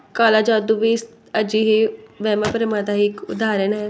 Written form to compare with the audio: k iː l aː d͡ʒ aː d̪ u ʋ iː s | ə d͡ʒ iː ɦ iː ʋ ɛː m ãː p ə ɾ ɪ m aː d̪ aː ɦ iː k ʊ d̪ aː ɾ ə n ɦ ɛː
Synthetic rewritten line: k aː l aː d͡ʒ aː d̪ u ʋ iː s | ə d͡ʒ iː ɦ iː ʋ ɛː m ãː p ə ɾ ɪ m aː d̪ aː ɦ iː k ʊ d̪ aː ɾ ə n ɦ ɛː